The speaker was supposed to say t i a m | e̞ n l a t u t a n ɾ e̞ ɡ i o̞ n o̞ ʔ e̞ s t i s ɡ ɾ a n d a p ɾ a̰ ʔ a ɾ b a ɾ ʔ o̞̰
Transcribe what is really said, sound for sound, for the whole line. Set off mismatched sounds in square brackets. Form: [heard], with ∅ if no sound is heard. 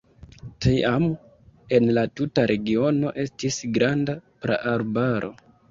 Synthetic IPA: t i a m | e̞ n l a t u t a [∅] ɾ e̞ ɡ i o̞ n o̞ ʔ e̞ s t i s ɡ ɾ a n d a p ɾ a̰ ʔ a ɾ b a ɾ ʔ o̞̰